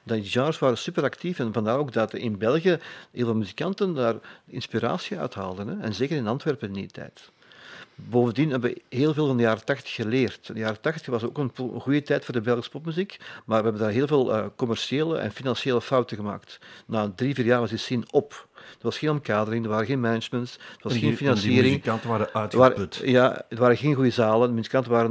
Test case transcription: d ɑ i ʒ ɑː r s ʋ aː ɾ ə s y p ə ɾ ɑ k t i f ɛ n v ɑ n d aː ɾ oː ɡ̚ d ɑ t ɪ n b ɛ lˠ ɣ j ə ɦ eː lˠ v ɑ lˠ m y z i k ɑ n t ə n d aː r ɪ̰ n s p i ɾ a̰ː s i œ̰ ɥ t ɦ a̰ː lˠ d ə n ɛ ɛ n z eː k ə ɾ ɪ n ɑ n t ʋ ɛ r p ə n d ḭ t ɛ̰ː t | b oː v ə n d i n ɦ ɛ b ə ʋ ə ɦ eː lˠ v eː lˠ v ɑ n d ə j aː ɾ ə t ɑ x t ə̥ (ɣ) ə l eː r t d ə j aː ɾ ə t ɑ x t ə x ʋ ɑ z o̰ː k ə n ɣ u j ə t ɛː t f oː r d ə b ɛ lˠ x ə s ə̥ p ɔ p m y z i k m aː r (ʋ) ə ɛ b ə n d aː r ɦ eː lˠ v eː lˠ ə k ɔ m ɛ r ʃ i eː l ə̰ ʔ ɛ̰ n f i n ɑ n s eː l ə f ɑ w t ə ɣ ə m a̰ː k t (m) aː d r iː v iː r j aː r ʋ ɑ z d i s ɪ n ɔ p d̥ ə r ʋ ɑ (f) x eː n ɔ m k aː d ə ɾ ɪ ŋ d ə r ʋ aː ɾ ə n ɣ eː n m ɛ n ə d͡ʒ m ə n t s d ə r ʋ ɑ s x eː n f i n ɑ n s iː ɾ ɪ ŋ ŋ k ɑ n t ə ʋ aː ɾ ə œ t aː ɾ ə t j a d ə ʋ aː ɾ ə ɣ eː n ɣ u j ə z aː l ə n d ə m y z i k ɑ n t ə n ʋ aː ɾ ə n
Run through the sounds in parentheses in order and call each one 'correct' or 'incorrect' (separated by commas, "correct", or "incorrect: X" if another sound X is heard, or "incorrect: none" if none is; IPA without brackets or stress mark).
incorrect: x, correct, incorrect: n, incorrect: s